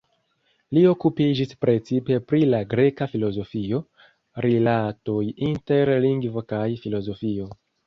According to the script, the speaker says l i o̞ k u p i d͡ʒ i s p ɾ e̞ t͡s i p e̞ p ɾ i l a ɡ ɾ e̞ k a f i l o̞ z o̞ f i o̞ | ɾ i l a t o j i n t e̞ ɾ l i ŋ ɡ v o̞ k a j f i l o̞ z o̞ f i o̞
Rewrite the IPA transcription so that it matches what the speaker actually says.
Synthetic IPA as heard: l i o̞ k u p i d͡ʒ i s p ɾ e̞ t͡s i p e̞ p ɾ i l a ɡ ɾ e̞ k a f i l o̞ z o̞ f i o̞ | ɾ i l a t o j i n t e̞ ɾ l i ŋ ɡ v o̞ k a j f i l o̞ z o̞ f i o̞